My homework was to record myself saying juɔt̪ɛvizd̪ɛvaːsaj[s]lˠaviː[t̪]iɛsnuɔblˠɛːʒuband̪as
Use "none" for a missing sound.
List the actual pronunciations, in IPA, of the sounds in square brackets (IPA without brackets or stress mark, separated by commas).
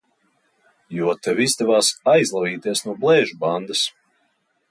z, t̪